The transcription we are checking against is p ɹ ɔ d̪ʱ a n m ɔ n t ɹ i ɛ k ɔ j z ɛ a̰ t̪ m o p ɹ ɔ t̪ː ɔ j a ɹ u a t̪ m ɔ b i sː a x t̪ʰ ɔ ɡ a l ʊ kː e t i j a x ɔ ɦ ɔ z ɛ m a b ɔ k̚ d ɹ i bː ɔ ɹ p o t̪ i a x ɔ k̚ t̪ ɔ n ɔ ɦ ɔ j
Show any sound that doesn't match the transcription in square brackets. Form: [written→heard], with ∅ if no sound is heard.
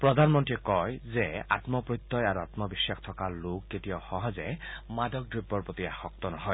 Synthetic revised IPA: p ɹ ɔ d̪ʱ a n m ɔ n t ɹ i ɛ k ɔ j z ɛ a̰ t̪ m [o→ɔ] p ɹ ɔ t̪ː ɔ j a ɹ u a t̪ m ɔ b i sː a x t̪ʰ ɔ [ɡ→k] a l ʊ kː e t i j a x ɔ ɦ ɔ z ɛ m a [b→d] ɔ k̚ d ɹ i bː ɔ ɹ p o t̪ i a x ɔ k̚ t̪ ɔ n ɔ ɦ ɔ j